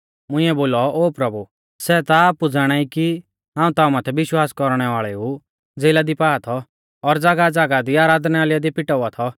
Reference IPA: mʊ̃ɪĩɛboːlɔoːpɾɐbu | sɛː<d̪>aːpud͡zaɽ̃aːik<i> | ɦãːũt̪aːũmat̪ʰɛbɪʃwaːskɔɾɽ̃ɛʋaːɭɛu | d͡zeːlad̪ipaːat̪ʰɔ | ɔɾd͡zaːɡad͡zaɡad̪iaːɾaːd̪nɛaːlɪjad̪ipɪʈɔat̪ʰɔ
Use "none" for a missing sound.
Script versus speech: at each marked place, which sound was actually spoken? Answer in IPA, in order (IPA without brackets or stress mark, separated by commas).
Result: t̪, i